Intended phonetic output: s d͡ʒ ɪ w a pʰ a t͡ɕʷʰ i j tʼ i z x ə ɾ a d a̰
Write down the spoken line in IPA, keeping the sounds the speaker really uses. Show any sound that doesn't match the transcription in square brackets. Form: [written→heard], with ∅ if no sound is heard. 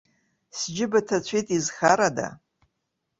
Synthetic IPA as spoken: s d͡ʒ ɪ [w→b] a [pʰ→tʰ] a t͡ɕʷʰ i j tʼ i z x [ə→a] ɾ a d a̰